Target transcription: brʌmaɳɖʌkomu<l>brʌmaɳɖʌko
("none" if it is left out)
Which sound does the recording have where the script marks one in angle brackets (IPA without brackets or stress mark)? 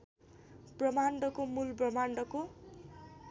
l